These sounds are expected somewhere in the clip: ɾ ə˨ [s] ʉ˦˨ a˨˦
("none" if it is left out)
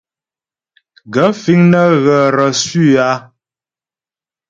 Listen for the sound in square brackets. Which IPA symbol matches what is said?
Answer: s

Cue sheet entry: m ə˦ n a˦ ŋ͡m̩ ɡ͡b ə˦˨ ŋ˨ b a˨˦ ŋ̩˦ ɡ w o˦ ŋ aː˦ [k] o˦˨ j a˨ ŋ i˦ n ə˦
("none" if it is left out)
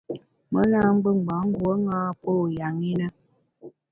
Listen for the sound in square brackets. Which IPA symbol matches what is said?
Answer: p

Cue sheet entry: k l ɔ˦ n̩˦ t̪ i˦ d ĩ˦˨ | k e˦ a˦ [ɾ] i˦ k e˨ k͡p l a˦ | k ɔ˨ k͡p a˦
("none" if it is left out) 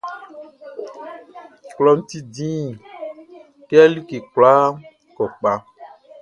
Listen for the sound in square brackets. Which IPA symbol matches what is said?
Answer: l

